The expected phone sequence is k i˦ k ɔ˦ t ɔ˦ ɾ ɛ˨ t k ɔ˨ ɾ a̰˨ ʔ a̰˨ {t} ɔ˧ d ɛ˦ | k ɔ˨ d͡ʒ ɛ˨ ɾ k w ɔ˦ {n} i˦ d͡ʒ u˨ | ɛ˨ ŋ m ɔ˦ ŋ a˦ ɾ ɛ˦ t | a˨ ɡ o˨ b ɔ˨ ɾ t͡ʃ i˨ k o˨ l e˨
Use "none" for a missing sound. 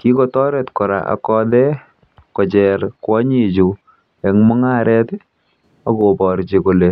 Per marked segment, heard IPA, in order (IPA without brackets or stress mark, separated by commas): k, ɲ